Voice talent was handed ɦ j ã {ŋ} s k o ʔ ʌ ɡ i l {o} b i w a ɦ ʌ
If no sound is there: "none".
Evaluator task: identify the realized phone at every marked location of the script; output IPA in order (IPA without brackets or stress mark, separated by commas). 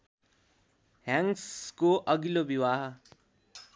ŋ, o